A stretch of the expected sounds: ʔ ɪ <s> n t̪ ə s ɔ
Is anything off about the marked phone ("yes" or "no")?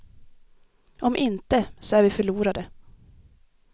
yes